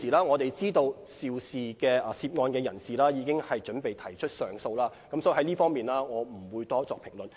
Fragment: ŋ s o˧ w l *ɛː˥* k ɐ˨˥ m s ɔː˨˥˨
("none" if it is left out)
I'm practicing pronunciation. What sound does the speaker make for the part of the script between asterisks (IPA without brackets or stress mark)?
aː˥